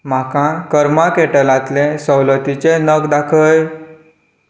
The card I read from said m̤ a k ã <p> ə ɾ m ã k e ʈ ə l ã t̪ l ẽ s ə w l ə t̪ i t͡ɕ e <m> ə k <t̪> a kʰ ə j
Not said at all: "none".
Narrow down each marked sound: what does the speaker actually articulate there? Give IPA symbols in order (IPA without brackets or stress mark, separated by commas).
k, n, d̪